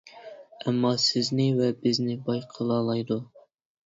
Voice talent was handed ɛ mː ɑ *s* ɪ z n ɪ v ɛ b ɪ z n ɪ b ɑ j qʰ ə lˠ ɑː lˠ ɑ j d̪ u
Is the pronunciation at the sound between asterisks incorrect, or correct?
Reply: correct